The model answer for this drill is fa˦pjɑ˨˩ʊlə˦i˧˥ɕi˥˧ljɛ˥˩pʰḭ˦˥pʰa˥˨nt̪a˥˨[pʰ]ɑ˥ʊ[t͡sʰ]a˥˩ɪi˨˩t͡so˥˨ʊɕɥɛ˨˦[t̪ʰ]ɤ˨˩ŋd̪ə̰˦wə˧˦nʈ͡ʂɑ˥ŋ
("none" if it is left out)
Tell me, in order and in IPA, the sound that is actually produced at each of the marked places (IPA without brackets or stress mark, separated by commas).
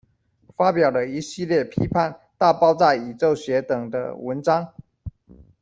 p, t͡s, t̪